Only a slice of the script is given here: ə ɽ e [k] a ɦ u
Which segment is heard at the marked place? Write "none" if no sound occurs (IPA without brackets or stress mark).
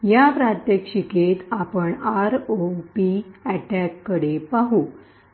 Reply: p